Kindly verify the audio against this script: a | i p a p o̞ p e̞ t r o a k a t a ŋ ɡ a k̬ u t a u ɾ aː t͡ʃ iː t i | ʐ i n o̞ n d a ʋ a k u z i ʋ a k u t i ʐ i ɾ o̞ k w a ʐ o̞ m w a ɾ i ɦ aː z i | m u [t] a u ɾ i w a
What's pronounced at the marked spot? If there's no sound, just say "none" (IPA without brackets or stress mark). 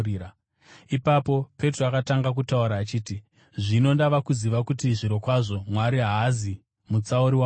t͡s